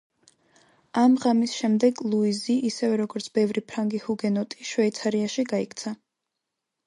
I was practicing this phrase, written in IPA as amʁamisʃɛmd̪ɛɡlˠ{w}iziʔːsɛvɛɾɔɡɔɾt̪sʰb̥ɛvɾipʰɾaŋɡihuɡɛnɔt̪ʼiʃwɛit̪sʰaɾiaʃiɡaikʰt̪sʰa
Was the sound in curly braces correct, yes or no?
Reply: no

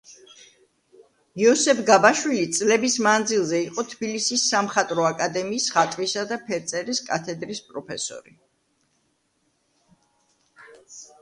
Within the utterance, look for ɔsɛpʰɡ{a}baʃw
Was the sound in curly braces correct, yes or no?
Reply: yes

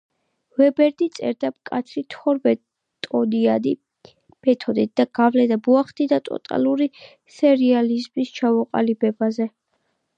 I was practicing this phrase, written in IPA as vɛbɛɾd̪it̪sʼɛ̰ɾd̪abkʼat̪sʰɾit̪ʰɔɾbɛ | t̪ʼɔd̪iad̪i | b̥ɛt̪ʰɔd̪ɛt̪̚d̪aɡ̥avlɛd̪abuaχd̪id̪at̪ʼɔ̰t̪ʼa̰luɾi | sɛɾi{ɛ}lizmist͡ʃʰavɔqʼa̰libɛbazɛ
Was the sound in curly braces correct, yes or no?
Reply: no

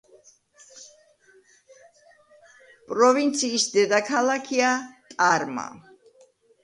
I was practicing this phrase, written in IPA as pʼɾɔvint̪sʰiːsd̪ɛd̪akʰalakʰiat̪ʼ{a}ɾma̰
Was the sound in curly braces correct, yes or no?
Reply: yes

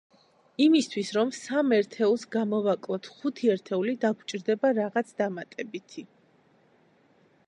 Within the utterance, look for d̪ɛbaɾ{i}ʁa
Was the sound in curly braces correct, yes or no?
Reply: no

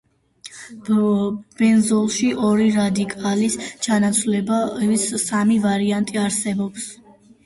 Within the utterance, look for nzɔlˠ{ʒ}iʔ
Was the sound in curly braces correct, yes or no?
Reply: no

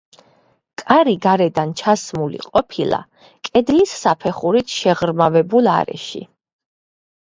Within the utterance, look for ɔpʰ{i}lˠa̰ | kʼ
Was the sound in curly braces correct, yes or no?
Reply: yes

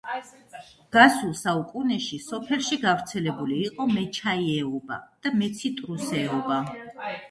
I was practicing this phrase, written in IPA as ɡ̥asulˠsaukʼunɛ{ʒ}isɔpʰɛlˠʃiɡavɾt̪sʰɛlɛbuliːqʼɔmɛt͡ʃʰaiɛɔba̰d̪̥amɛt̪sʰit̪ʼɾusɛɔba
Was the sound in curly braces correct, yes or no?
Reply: no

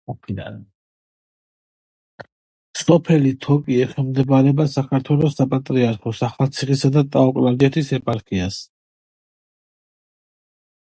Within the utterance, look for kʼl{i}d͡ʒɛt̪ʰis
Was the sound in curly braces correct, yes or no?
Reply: no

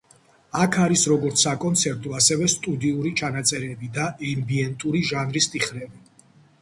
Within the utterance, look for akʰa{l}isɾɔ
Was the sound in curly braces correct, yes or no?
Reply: no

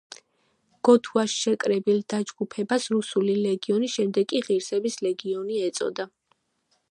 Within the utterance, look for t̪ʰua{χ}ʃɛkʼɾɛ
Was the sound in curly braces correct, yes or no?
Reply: no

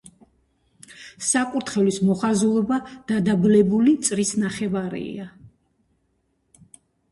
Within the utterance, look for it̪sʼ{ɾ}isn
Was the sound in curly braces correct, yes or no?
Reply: yes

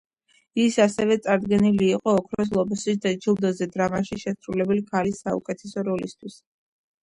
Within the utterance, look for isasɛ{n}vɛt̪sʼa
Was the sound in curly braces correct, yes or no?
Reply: no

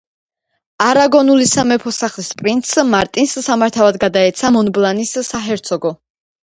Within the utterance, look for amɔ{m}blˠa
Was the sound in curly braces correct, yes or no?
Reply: no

